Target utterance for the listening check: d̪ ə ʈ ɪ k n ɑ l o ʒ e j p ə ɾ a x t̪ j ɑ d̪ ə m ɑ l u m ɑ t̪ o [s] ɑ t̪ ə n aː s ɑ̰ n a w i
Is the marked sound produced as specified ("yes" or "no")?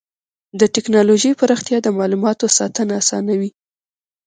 yes